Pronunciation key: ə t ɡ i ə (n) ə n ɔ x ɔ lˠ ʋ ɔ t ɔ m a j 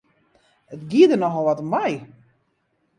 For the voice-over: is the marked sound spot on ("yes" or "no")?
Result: no